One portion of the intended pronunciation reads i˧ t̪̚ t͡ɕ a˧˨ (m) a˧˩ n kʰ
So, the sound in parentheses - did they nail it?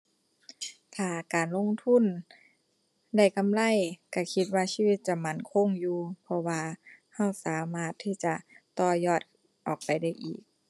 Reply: yes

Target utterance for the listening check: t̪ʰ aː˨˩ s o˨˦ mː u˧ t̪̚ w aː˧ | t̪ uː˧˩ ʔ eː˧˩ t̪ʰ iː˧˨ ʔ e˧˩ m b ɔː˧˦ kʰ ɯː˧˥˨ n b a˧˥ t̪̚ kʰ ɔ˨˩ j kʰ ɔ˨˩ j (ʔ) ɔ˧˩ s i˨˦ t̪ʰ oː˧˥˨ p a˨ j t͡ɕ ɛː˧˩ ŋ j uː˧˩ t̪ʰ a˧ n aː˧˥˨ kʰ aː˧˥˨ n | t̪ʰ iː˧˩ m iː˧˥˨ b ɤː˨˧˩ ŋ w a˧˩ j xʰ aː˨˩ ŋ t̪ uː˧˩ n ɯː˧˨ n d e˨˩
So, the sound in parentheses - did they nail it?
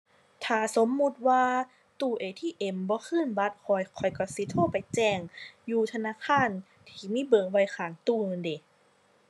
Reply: no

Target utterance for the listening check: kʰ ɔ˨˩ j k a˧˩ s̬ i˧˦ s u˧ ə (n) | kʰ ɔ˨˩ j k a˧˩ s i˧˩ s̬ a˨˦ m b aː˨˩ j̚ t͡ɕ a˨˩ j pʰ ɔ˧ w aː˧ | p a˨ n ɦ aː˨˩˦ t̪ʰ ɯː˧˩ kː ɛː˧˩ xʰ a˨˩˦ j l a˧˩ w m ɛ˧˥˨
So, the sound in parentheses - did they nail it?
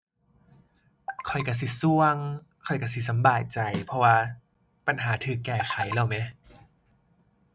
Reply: no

